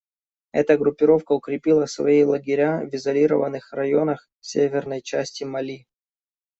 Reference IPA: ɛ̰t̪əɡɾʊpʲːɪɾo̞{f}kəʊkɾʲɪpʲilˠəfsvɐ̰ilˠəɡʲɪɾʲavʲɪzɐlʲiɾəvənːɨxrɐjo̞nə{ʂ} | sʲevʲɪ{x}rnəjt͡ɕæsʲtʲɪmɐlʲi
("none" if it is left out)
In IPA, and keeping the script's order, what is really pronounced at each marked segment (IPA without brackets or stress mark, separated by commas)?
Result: f, x, none